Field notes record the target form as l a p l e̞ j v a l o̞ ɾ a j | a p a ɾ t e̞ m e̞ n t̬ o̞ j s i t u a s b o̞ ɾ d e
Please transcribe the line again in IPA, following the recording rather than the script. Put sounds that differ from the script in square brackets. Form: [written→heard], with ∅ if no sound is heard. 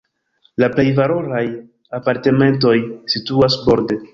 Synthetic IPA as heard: l a p l e̞ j v a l o̞ ɾ a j | a p a ɾ t e̞ m e̞ n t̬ o̞ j s i t u a s b o̞ ɾ d e